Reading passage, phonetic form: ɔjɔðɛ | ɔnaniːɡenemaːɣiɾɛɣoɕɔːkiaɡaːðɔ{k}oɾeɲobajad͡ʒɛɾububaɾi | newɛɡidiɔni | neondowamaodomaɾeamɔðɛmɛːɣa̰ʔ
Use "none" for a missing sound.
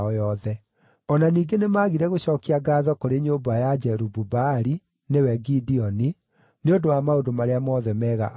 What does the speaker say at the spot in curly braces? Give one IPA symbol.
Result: k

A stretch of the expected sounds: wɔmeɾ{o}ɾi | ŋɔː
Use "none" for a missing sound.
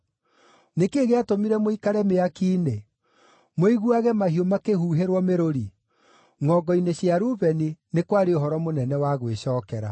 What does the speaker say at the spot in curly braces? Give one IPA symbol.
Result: o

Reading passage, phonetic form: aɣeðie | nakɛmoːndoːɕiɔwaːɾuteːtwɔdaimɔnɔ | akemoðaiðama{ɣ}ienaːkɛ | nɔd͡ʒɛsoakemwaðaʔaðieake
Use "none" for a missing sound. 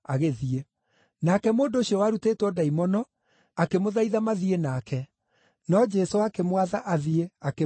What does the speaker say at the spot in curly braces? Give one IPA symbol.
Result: ð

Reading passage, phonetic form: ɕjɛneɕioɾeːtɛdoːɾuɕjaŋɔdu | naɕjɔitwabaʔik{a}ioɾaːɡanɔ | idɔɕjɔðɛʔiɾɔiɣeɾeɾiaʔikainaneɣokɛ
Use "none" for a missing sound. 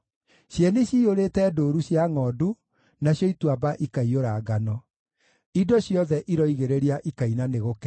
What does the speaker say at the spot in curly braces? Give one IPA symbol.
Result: a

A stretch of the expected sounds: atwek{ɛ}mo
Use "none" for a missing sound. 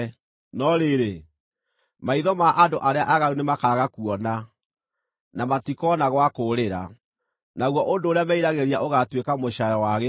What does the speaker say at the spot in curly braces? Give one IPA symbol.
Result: a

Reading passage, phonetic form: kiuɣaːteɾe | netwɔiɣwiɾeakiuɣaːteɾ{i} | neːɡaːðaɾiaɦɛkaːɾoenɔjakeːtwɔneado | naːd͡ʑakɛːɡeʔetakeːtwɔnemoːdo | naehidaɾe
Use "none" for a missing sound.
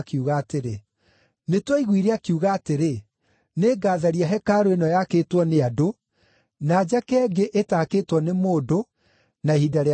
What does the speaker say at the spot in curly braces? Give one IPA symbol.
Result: e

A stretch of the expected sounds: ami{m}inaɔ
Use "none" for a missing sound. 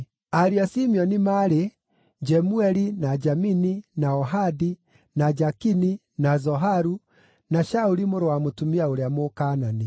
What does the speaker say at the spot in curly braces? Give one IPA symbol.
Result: n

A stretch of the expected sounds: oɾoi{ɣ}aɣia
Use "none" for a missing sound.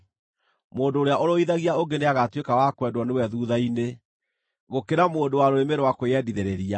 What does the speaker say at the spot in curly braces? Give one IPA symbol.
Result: ð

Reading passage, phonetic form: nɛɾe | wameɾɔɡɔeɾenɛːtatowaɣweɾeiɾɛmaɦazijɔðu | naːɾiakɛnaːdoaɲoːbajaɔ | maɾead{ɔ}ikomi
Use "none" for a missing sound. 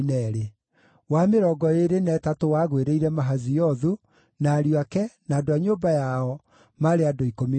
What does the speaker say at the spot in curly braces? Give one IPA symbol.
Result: o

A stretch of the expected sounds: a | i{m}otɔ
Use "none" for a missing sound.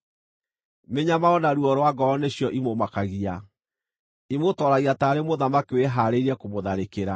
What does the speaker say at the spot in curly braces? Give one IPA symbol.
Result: m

